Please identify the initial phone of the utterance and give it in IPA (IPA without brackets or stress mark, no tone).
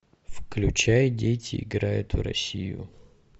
f